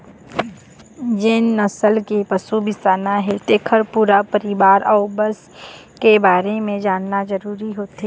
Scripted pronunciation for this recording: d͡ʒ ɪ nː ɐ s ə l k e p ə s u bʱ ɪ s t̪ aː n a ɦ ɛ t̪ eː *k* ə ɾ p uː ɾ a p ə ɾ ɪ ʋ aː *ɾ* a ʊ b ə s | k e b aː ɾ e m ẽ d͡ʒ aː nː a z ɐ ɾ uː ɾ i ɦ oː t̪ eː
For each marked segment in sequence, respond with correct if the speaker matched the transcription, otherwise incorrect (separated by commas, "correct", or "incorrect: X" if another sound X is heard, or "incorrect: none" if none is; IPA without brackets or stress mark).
incorrect: kʰ, correct